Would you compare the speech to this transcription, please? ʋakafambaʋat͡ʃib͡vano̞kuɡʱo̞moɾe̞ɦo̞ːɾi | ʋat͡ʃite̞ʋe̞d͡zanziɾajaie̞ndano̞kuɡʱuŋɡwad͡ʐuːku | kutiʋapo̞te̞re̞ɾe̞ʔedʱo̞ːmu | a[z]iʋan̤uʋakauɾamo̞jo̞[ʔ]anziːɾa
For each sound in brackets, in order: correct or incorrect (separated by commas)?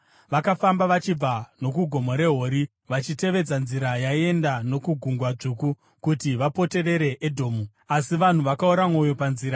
incorrect, incorrect